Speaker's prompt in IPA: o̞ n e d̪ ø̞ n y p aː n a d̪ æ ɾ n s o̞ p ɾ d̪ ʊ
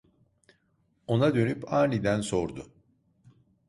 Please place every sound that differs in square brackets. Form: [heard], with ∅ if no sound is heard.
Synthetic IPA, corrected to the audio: o̞ n [a] d̪ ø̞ n y p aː n [i] d̪ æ [∅] n s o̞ [∅] ɾ d̪ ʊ